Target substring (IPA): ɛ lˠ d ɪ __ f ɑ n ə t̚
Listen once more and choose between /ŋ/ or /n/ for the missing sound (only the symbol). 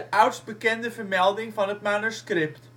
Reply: ŋ